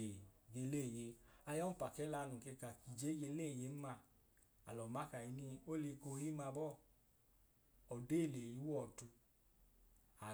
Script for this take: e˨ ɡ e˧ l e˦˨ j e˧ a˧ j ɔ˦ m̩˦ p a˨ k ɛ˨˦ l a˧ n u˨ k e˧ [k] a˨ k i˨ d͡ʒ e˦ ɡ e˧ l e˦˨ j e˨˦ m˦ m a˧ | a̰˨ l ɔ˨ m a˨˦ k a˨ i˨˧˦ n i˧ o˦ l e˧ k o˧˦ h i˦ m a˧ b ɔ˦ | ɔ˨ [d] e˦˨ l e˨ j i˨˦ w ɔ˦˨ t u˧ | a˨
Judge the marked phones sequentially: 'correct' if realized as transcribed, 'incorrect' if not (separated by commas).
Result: correct, correct